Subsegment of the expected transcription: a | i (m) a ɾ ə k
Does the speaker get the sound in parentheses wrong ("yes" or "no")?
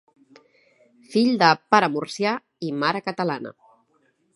no